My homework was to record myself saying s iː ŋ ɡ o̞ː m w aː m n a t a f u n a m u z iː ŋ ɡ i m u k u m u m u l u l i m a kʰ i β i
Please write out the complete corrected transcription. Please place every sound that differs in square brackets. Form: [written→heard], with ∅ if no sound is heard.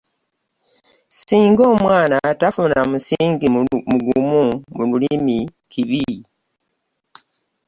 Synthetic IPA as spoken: s iː ŋ ɡ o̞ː m w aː [m→∅] n a t a f u n a m u [z→s] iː ŋ ɡ i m u [k→ɡ] u m u m u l u l i m [a→i] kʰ i β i